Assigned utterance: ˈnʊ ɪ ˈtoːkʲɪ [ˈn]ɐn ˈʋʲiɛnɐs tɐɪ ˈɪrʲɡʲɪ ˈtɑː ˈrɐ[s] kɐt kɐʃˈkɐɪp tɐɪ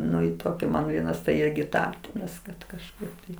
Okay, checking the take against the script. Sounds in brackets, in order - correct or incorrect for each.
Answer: incorrect: m, correct

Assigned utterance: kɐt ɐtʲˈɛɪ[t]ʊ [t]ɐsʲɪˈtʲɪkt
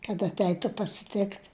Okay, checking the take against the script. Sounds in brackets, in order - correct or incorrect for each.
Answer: correct, incorrect: p

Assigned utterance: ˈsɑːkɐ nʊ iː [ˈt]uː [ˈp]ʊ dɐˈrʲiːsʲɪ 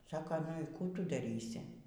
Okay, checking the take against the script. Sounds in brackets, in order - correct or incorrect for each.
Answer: incorrect: k, incorrect: t

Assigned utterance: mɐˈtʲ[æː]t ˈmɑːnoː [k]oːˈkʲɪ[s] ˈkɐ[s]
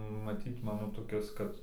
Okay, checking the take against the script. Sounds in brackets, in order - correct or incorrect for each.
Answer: incorrect: iː, incorrect: t, correct, incorrect: t

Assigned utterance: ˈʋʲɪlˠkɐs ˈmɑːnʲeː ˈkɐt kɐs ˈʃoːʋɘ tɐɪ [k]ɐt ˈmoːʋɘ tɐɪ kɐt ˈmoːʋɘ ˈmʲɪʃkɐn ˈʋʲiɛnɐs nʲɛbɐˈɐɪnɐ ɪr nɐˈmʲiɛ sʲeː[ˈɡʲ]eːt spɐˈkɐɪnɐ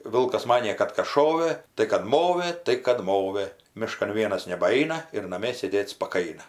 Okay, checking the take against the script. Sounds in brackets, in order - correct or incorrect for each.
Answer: correct, incorrect: dʲ

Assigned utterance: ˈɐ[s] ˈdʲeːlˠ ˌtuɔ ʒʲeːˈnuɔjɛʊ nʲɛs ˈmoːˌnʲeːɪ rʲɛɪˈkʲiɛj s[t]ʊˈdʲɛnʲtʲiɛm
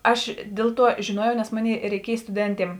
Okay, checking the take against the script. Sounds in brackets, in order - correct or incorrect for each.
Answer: incorrect: ʃ, correct

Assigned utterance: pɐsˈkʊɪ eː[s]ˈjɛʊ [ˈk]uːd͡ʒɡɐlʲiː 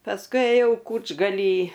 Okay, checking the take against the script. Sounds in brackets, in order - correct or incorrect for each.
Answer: incorrect: none, correct

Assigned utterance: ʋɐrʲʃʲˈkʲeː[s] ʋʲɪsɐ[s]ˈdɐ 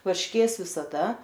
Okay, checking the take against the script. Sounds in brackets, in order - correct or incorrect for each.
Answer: correct, incorrect: none

